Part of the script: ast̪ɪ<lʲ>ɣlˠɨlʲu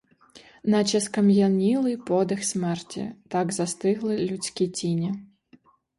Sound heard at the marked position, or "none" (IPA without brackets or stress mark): none